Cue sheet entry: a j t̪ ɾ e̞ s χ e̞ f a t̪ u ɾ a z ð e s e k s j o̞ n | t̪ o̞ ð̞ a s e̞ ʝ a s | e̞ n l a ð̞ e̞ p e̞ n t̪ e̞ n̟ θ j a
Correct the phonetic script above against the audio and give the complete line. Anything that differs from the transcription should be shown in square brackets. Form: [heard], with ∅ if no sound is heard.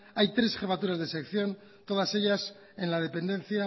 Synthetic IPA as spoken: a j t̪ ɾ e̞ s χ e̞ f a t̪ u ɾ a z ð e s e k [θ] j o̞ n | t̪ o̞ ð̞ a s e̞ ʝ a s | e̞ n l a ð̞ e̞ p e̞ n [d̪] e̞ n̟ θ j a